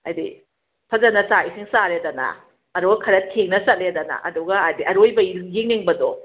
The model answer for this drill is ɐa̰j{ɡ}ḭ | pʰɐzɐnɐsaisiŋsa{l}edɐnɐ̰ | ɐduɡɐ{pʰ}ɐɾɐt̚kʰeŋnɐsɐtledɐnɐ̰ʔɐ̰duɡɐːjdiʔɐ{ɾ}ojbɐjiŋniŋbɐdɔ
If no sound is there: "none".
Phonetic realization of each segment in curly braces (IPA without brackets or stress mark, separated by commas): d, ɾ, kʰ, ɾ